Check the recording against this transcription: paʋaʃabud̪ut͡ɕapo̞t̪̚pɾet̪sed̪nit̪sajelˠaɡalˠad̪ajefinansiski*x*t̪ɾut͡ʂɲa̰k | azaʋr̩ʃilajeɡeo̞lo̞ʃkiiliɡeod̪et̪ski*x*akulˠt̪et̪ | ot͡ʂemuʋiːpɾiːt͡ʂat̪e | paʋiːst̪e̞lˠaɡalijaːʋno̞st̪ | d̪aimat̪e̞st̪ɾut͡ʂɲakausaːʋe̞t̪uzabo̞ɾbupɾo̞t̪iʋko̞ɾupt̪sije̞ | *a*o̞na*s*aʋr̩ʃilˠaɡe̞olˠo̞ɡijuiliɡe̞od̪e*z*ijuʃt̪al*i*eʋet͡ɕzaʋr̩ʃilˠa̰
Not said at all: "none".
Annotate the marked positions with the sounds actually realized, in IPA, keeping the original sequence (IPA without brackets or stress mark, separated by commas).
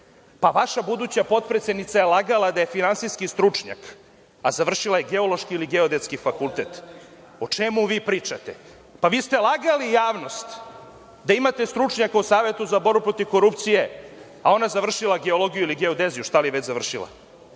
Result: s, f, a, z, z, i